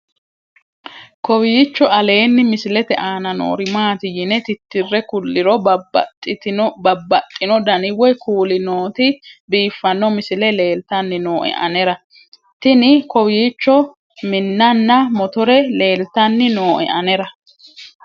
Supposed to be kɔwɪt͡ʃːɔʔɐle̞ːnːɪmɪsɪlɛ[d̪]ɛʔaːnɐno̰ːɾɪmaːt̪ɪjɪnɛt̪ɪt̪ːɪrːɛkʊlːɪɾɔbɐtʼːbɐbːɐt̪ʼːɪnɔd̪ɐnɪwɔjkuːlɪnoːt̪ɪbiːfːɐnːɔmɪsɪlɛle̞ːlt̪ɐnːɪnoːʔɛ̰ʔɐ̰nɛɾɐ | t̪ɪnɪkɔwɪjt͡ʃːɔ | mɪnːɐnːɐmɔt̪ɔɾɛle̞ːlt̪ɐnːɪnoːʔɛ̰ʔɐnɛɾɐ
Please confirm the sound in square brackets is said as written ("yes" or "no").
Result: no